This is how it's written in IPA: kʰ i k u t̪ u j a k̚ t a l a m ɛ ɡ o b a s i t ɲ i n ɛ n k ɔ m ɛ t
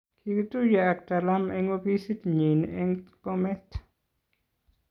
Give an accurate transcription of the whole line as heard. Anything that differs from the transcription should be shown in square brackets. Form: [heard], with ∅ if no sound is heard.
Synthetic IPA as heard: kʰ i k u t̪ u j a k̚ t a l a m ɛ [ŋ] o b [i] s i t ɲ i n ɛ [ŋ] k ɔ m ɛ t